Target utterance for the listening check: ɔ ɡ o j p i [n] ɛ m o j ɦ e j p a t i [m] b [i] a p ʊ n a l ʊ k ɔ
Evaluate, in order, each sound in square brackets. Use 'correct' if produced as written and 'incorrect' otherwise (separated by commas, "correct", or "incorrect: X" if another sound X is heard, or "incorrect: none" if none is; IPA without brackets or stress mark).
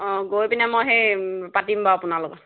correct, correct, incorrect: a